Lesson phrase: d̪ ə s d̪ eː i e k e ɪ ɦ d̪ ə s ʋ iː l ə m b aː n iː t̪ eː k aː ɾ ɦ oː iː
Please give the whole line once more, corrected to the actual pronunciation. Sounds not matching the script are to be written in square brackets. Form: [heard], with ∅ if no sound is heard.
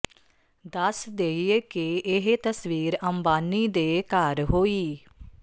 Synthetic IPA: d̪ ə s d̪ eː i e k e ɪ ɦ [t̪] ə s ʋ iː [ɾ] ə m b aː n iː [d̪] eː k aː ɾ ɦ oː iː